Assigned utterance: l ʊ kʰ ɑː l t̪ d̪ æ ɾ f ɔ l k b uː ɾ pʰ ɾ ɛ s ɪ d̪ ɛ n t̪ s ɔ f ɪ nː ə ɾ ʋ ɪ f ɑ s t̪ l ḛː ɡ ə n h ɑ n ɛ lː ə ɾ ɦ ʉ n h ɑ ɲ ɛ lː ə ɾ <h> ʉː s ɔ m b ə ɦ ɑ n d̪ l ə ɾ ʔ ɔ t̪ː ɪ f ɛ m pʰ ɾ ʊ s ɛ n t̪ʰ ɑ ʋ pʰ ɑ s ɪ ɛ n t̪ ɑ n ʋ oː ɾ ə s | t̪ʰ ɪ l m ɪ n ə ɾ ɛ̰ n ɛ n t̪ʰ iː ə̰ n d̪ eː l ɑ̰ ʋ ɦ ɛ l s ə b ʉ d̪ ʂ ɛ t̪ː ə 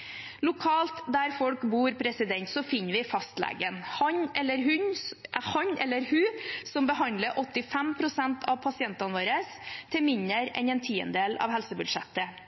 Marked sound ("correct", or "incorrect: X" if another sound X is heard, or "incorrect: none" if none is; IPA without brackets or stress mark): correct